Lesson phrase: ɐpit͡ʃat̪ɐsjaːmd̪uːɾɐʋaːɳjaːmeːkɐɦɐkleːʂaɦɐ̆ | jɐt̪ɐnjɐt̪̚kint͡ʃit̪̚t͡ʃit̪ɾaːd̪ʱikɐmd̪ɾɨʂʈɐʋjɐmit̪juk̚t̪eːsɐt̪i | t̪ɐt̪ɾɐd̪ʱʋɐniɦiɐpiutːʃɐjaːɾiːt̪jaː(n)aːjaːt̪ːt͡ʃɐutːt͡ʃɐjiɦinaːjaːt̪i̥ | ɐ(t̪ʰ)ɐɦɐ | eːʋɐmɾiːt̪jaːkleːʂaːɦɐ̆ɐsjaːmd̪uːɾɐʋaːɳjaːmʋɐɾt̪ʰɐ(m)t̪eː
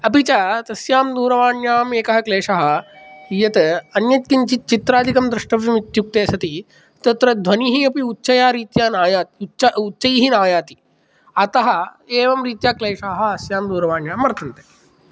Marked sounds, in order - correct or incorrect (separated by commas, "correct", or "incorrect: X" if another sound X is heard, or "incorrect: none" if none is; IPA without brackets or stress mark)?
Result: correct, incorrect: t̪, incorrect: n